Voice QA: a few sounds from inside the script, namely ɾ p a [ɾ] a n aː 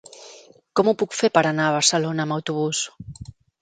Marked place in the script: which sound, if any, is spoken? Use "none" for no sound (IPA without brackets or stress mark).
ɾ